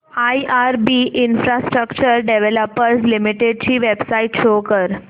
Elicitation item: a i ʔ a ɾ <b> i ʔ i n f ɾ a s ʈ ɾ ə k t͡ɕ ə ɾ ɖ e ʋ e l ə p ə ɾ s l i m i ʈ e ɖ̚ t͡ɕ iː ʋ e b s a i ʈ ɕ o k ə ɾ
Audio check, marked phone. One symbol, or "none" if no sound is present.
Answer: b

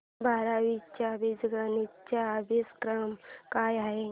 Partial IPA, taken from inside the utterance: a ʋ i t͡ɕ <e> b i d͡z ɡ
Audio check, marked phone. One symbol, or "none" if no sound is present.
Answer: a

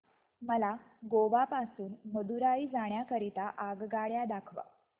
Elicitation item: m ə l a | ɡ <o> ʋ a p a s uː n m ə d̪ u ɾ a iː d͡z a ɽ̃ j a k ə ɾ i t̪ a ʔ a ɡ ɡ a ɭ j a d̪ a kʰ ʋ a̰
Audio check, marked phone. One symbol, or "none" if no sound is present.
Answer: o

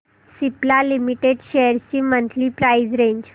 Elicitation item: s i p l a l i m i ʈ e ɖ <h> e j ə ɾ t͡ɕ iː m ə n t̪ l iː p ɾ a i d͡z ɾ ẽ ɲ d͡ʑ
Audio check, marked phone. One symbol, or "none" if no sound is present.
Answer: ɕ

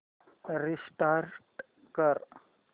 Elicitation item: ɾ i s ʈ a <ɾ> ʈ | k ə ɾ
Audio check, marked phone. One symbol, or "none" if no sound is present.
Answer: ɾ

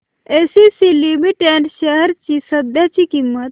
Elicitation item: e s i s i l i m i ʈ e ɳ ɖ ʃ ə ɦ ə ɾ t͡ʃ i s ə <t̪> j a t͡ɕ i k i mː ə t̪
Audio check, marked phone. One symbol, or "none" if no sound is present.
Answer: d̪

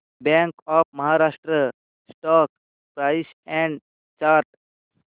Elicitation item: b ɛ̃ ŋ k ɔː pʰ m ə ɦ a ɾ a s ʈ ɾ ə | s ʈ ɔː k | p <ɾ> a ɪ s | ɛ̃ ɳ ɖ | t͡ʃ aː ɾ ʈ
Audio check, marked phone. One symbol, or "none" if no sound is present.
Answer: ɾ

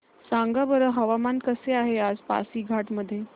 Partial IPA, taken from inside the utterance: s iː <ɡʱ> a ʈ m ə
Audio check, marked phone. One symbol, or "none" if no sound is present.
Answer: ɡʱ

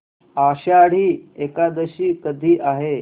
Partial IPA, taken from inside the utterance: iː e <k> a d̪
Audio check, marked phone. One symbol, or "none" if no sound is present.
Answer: k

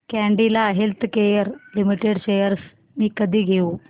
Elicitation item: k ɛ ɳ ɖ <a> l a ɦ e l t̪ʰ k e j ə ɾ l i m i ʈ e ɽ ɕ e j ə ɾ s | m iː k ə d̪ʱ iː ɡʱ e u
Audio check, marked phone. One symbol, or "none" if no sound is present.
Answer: i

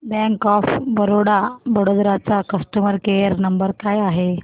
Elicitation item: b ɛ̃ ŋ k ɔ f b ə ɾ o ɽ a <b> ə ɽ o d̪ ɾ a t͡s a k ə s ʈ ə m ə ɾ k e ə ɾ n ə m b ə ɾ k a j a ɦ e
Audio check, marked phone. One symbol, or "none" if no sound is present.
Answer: b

